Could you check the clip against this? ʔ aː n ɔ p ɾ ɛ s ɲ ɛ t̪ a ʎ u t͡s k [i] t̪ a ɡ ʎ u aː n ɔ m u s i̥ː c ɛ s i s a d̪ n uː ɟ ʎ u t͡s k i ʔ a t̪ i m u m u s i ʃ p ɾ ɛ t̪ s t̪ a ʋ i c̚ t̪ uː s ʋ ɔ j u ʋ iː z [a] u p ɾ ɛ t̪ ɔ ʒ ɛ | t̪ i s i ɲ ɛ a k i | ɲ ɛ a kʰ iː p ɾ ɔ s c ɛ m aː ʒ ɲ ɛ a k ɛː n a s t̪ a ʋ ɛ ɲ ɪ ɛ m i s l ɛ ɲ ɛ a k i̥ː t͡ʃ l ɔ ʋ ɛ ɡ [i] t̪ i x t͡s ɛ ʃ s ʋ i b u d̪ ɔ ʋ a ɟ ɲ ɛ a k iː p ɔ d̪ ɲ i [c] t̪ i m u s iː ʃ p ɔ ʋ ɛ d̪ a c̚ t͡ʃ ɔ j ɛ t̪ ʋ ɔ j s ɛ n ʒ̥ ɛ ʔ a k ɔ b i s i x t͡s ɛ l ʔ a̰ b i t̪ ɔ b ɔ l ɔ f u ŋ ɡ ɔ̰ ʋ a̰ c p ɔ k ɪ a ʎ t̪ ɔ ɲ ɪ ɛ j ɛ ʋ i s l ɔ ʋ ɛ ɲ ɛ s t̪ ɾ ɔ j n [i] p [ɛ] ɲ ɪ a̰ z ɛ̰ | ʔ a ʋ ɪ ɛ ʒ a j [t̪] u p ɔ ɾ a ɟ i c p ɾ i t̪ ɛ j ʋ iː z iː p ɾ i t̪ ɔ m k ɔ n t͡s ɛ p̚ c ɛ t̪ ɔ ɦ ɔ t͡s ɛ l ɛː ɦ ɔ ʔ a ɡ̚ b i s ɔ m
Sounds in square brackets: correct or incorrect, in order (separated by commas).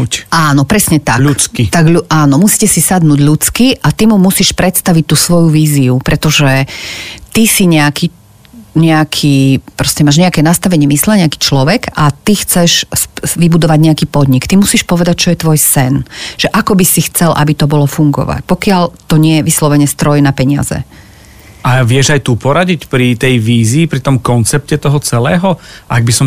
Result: correct, incorrect, incorrect, incorrect, incorrect, correct, correct